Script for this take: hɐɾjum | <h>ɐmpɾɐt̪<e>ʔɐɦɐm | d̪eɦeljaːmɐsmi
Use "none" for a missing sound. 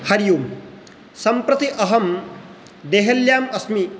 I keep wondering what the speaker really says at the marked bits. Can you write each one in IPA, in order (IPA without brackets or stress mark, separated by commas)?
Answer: s, i